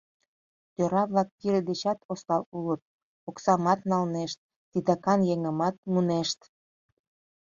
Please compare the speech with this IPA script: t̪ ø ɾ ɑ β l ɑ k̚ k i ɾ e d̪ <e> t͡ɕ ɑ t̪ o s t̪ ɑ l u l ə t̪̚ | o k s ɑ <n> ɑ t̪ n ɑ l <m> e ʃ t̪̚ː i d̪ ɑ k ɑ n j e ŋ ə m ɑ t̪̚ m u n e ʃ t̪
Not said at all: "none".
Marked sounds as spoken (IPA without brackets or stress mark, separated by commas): e, m, n